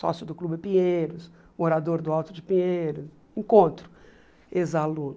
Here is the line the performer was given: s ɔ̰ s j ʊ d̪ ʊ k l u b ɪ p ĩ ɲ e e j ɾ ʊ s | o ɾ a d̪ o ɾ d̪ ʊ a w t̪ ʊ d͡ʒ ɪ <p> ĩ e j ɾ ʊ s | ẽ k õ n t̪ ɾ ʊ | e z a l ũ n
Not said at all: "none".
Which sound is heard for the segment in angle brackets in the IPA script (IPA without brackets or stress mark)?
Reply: p